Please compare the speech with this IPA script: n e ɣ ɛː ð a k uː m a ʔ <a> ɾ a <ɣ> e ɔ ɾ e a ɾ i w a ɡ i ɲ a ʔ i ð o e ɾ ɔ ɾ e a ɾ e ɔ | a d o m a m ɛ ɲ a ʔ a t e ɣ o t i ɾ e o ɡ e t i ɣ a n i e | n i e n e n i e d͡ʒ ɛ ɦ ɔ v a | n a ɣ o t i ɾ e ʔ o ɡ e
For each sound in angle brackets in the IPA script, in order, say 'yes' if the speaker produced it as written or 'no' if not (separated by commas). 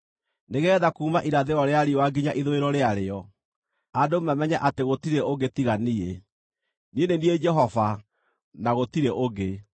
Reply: no, no